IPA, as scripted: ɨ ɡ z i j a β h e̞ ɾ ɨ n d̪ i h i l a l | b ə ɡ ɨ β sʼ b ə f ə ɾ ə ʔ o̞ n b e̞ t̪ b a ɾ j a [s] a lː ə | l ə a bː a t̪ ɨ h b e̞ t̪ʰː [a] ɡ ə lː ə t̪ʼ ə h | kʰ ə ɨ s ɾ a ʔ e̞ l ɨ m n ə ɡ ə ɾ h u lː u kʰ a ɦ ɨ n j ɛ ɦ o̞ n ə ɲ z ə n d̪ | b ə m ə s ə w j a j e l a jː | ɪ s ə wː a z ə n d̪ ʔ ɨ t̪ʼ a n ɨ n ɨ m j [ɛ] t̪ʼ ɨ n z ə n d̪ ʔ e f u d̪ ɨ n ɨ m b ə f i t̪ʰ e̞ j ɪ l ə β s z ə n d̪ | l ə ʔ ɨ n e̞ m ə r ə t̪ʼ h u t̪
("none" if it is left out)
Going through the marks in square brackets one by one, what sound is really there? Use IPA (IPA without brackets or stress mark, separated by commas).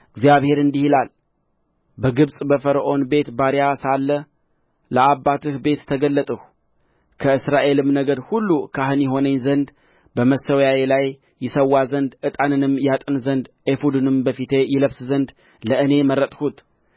s, ə, a